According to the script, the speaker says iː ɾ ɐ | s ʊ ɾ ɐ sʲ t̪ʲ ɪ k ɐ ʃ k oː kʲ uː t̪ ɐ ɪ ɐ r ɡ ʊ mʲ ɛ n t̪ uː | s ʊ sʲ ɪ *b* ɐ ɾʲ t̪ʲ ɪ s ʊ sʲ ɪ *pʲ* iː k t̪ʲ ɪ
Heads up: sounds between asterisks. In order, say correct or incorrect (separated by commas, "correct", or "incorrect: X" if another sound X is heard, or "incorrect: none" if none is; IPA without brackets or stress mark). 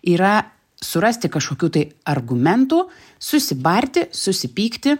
correct, correct